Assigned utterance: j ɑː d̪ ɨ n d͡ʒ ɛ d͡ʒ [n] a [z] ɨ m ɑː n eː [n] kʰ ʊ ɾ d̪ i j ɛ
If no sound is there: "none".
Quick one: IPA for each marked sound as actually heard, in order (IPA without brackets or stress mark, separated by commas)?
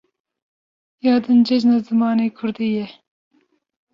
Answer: n, z, none